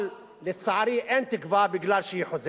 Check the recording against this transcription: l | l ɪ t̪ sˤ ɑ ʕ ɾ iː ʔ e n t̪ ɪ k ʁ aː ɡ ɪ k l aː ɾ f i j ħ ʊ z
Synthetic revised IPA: l | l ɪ t̪ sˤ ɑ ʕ ɾ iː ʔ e n t̪ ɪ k v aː b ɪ ɡ l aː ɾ ʃ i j ħ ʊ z